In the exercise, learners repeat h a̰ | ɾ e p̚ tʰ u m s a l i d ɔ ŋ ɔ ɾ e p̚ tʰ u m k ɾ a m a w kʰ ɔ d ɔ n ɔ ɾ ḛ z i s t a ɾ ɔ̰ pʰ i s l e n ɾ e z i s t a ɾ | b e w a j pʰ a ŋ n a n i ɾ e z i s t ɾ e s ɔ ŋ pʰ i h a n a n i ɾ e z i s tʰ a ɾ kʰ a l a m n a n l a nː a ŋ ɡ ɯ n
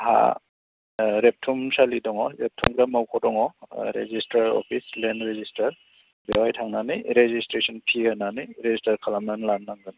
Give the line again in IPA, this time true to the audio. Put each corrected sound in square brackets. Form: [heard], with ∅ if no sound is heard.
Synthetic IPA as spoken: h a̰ | ɾ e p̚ tʰ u m s a l i d ɔ ŋ ɔ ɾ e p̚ tʰ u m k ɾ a m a w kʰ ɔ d ɔ [ŋ] ɔ ɾ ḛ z i s t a ɾ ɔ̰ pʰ i s l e n ɾ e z i s t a ɾ | b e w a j [tʰ] a ŋ n a n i ɾ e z i s t ɾ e s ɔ [n] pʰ i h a n a n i ɾ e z i s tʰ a ɾ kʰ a l a m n a n l a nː a ŋ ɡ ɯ n

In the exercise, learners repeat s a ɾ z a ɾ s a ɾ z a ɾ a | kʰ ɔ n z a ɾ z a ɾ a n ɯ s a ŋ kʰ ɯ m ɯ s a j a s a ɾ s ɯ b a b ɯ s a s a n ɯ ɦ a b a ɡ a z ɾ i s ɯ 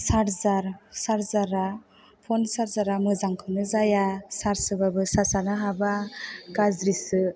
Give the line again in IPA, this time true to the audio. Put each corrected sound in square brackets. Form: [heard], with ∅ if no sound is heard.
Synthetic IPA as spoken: s a ɾ z a ɾ s a ɾ z a ɾ a | [pʰ] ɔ n [s] a ɾ z a ɾ a [m] ɯ [z] a ŋ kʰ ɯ [n] ɯ [z] a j a s a ɾ s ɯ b a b ɯ s a s a n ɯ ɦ a b a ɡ a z ɾ i s ɯ

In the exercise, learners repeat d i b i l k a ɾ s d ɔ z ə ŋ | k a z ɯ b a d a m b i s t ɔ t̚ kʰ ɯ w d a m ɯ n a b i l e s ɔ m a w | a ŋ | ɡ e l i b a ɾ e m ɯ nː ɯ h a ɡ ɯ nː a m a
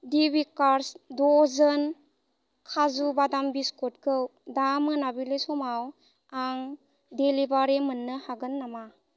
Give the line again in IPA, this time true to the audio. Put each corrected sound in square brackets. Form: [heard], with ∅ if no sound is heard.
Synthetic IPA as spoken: d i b i [∅] k a ɾ s d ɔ z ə [n] | [kʰ] a z [u] b a d a m b i s [k] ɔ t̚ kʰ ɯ w d a m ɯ n a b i l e s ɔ m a w | a ŋ | [d] e l i b a ɾ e m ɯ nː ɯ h a ɡ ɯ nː a m a

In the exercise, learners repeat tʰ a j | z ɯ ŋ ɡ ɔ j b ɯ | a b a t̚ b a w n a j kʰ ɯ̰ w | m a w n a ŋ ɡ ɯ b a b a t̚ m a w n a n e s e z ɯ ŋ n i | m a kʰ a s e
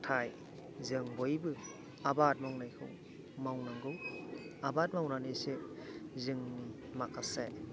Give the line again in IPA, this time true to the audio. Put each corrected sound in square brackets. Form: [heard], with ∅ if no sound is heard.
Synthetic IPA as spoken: tʰ a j | z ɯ ŋ [b] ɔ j b ɯ | a b a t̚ [m] a w n a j kʰ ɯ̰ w | m a w n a ŋ ɡ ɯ [w] a b a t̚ m a w n a n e s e z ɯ ŋ n i | m a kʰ a s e

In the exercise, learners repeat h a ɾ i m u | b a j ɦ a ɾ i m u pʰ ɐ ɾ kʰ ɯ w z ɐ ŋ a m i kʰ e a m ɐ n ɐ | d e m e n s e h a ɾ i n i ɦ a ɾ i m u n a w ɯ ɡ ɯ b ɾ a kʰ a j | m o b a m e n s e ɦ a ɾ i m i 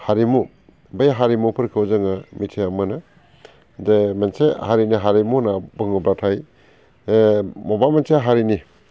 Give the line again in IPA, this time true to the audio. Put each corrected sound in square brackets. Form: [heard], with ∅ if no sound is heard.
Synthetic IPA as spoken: h a ɾ i m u | b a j ɦ a ɾ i m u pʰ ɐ ɾ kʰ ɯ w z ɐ ŋ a m i [tʰ] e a m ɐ n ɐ | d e m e n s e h a ɾ i n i ɦ a ɾ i m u n a [b] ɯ [ŋ] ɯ b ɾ a [tʰ] a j | m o b a m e n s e ɦ a ɾ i [n] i

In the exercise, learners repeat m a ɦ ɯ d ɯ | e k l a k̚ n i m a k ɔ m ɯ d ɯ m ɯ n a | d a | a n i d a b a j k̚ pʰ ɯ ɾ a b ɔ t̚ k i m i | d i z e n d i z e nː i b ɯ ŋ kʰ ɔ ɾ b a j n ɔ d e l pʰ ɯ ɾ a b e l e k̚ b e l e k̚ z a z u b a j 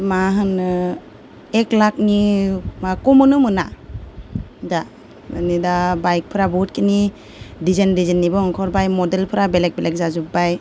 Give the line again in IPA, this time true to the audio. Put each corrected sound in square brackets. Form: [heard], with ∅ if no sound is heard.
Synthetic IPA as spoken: m a ɦ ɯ [n] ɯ | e k l a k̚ n i m a k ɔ m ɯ [n] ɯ m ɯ n a | d a | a n i d a b a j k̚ pʰ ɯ ɾ a b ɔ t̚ k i [n] i | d i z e n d i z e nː i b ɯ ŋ kʰ ɔ ɾ b a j [m] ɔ d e l pʰ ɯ ɾ a b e l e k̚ b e l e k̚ z a z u b a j

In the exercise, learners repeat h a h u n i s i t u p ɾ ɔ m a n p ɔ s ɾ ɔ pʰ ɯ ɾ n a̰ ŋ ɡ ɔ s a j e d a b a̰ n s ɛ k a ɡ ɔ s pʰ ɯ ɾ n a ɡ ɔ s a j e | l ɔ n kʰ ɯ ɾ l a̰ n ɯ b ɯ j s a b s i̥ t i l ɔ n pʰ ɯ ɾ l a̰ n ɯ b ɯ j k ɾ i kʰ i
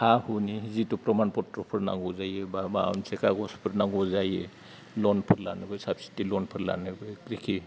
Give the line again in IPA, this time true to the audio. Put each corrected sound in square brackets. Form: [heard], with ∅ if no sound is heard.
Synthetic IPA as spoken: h a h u n i [z] i t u p ɾ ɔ m a n p ɔ [t] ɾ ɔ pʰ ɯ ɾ n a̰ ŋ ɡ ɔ [z] a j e [b] a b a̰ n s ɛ k a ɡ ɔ s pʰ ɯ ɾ n a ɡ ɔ [z] a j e | l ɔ n [pʰ] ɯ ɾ l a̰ n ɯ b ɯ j s a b s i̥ t i l ɔ n pʰ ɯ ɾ l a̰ n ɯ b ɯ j k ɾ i kʰ i

